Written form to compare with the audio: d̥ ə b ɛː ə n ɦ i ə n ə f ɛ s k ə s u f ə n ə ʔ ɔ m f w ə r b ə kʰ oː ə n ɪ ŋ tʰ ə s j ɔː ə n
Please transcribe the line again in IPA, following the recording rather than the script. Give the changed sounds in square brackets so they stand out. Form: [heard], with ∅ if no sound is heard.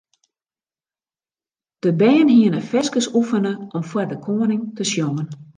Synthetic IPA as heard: d̥ ə b ɛː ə n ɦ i ə n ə f ɛ s k ə s u f ə n ə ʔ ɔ m f w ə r [d] ə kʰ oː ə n ɪ ŋ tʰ ə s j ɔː ə n